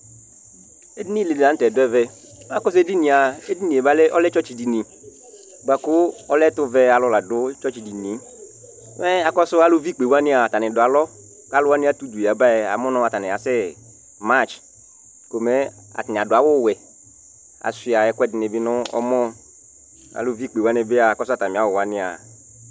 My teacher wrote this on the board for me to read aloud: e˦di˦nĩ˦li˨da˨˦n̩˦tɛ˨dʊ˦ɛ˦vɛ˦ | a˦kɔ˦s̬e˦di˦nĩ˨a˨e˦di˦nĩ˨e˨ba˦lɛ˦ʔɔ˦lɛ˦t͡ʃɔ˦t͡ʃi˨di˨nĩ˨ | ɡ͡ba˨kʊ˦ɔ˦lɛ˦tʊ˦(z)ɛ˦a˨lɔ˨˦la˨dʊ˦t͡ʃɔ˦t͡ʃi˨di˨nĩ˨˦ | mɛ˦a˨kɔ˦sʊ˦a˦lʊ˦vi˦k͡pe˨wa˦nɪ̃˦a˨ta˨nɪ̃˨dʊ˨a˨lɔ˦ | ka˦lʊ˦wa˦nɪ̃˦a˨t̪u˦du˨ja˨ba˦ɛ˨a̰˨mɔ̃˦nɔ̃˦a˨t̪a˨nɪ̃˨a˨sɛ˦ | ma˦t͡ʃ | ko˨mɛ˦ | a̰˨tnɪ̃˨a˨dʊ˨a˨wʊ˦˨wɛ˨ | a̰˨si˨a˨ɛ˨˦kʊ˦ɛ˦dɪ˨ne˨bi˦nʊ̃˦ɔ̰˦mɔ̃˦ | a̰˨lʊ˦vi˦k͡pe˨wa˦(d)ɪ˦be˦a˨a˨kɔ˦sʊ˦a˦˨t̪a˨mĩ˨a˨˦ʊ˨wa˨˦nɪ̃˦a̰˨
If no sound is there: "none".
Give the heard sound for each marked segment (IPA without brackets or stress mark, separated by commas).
v, n